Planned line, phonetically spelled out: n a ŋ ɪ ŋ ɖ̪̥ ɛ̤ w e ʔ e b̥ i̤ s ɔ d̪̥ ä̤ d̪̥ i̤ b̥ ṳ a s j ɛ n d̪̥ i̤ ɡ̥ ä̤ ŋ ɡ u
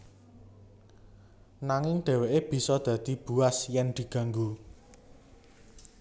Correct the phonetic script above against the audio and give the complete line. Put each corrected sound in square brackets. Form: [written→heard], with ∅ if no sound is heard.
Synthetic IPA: n a ŋ ɪ ŋ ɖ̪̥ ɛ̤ w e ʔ e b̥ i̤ s ɔ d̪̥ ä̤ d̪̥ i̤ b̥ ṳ a s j ɛ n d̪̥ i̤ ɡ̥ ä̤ ŋ ɡ u